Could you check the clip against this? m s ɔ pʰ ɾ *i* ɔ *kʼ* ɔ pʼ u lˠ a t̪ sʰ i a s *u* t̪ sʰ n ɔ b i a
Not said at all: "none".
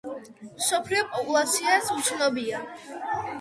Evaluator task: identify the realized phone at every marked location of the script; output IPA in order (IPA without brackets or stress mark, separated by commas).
i, pʼ, u